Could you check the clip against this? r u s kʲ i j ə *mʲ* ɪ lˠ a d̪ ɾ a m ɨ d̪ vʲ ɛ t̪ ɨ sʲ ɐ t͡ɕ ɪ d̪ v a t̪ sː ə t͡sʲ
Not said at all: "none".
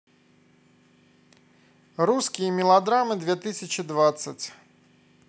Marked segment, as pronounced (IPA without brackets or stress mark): mʲ